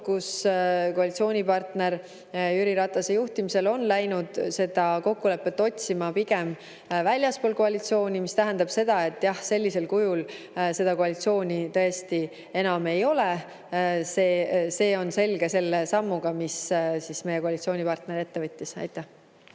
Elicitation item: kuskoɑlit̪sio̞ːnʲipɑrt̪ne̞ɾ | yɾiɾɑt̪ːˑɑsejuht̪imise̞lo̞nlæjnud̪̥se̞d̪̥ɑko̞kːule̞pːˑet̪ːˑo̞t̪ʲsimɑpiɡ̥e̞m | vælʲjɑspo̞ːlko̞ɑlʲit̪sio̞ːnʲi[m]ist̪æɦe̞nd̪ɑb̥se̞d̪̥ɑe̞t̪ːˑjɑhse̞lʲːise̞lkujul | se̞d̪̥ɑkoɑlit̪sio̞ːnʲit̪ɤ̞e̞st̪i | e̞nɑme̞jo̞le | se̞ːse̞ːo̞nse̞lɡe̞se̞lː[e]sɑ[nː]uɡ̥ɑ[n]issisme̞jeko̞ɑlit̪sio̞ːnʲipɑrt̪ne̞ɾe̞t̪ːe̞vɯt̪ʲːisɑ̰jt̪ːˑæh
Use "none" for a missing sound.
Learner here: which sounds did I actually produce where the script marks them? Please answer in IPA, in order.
m, e, mː, m

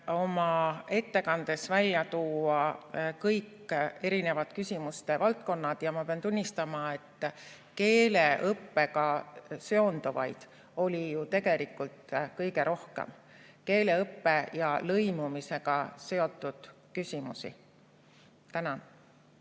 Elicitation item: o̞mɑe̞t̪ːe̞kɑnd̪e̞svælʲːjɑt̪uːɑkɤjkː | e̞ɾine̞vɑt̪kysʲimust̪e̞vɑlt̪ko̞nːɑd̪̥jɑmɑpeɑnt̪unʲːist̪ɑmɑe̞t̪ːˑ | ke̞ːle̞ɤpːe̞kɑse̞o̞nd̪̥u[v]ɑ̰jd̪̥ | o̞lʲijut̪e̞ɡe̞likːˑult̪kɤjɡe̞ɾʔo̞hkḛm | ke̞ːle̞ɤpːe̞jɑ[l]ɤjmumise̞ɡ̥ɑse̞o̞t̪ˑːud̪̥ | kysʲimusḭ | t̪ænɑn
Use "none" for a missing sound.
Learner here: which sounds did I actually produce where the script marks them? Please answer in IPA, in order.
v, l

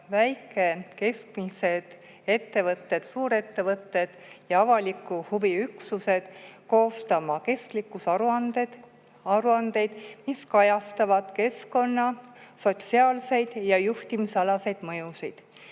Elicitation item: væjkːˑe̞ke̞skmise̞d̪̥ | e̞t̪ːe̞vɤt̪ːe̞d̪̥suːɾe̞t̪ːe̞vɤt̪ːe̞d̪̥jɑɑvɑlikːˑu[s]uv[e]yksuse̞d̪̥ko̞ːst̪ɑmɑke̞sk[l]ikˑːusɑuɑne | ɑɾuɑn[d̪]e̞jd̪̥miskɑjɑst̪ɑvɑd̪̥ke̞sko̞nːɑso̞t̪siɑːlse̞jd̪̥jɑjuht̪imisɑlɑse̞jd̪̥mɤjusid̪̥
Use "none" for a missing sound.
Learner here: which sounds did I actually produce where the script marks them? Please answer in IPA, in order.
h, i, l, d̪

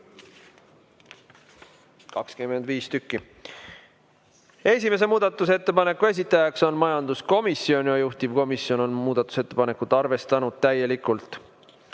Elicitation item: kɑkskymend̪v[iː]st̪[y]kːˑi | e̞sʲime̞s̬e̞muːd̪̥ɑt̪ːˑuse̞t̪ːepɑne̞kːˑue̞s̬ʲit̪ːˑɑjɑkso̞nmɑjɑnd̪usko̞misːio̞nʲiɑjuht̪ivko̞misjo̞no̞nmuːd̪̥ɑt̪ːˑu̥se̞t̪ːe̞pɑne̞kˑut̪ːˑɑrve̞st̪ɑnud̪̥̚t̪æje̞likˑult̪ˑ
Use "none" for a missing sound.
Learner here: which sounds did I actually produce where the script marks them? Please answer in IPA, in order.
iː, y

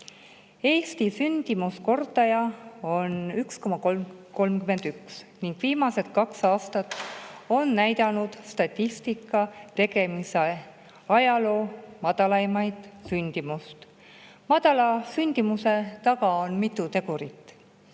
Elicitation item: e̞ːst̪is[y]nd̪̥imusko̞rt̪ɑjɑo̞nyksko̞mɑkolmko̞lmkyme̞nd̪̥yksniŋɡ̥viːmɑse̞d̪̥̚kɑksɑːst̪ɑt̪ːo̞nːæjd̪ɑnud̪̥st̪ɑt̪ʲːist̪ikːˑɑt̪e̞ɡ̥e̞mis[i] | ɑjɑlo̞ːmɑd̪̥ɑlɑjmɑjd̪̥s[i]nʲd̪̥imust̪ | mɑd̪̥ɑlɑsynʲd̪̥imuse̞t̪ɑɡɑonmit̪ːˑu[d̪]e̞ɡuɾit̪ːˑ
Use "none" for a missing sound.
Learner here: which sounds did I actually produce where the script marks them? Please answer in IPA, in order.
y, e, y, t̪

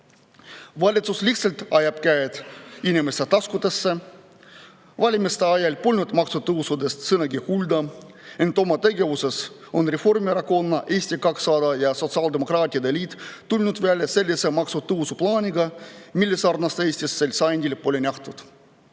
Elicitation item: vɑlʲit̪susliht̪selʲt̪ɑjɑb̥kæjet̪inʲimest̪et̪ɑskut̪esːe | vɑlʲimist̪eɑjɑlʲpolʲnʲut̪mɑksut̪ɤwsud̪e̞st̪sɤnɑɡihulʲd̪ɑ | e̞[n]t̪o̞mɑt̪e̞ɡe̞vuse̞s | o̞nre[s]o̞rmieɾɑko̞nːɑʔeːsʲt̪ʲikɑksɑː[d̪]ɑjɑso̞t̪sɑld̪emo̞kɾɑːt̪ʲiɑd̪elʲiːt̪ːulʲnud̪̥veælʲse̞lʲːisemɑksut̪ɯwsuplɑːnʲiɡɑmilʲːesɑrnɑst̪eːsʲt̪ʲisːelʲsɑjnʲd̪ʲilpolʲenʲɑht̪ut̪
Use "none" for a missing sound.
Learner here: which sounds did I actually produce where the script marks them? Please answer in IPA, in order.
n, f, d̪

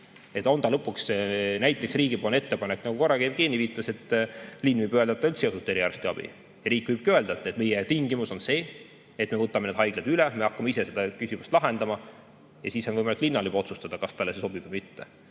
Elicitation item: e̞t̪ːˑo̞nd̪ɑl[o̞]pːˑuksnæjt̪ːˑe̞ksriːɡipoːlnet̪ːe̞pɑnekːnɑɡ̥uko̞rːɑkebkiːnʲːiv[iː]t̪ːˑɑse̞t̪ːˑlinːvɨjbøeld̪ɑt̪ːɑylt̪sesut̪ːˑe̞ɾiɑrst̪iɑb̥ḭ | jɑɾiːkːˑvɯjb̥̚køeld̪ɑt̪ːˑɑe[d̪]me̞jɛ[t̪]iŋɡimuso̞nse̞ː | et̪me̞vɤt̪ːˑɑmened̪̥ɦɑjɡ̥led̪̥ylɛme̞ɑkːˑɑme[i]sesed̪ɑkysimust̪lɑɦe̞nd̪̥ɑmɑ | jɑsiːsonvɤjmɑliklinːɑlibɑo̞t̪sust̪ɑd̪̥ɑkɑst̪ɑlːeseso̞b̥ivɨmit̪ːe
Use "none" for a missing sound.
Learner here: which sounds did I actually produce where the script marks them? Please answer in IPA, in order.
ɤ̞, iː, t̪, t̪, i

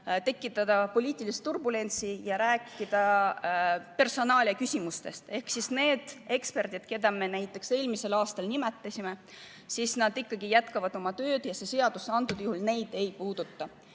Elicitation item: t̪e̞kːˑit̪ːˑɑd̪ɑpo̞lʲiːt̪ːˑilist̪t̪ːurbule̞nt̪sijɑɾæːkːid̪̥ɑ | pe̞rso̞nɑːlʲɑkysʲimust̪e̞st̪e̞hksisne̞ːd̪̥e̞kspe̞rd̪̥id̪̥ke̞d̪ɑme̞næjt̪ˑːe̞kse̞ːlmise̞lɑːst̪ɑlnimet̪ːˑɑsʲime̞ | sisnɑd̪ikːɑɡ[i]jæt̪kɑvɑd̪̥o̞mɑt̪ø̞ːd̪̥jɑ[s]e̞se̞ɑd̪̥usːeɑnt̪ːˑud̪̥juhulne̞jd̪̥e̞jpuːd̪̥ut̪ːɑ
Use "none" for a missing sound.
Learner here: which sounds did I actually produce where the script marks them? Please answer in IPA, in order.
i, s

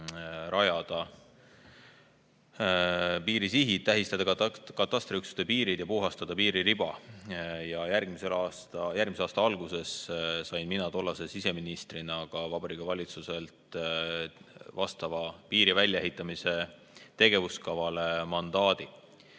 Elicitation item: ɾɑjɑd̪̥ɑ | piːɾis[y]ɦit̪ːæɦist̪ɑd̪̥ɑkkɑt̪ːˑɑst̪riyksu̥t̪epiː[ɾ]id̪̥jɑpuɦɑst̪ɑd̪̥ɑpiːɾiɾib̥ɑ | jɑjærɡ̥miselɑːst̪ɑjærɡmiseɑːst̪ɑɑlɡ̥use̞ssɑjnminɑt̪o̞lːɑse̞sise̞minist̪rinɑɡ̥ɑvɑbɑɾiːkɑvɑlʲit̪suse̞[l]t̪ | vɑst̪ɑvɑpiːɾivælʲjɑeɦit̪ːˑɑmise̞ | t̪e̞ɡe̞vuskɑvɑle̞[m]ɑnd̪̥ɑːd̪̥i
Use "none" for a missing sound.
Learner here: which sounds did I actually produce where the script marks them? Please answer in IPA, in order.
i, ɾ, l, m

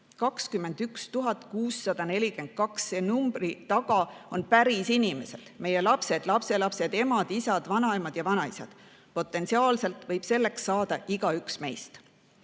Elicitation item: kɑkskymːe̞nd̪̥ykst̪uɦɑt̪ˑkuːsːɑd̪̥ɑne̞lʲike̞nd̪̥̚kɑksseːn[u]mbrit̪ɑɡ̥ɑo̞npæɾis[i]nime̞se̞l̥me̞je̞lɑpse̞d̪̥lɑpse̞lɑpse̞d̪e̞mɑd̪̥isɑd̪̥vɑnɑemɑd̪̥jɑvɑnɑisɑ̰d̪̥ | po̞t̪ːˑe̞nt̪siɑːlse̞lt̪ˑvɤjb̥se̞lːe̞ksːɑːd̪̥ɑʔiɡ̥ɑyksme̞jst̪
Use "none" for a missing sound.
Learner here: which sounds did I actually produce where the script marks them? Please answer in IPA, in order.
u, i

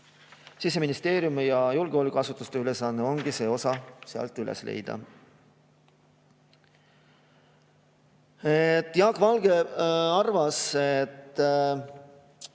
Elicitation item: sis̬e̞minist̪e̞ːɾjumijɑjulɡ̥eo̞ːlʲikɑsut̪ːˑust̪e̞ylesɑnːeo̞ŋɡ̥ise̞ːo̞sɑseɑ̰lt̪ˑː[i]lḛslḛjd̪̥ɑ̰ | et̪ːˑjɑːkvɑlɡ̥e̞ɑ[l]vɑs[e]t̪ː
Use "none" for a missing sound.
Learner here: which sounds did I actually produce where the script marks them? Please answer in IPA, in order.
y, r, e

